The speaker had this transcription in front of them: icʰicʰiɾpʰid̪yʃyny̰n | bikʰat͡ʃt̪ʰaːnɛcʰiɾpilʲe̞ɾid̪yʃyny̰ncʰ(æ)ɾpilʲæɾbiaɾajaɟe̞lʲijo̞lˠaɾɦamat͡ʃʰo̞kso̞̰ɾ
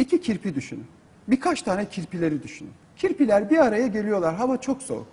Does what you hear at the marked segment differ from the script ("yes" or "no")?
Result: yes